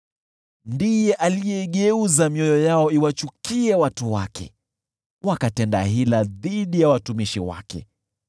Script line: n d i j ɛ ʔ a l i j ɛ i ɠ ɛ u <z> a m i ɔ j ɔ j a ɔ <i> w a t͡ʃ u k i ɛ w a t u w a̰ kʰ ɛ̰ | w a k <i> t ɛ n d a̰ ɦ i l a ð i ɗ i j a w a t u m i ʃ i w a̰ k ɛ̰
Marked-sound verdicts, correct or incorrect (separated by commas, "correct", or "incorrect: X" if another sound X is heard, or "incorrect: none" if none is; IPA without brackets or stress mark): correct, correct, incorrect: a